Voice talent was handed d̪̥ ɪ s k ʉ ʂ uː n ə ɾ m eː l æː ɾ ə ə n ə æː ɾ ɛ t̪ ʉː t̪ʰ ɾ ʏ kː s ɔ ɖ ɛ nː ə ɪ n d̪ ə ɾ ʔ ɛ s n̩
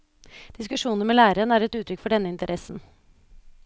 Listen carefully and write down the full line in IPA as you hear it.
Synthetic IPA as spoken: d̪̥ ɪ s k ʉ ʂ uː n ə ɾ m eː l æː ɾ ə ə n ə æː ɾ ɛ t̪ ʉː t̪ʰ ɾ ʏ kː f ɔ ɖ ɛ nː ə ɪ n t̪ ə ɾ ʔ ɛ s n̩